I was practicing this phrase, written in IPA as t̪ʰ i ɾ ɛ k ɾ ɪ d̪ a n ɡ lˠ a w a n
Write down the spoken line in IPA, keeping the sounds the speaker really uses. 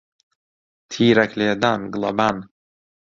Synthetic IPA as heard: t̪ʰ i ɾ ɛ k l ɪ d̪ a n ɡ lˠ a b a n